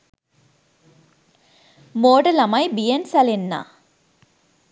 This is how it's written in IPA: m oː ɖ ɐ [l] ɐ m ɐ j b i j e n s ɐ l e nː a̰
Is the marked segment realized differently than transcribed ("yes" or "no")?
no